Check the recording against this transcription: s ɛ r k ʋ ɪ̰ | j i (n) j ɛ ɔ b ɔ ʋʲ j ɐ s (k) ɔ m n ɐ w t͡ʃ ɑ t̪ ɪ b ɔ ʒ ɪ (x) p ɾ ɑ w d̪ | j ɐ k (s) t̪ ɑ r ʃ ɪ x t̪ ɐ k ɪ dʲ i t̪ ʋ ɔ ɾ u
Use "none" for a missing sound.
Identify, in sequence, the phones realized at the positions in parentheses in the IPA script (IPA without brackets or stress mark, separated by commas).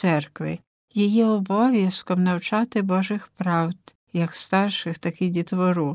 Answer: none, k, x, s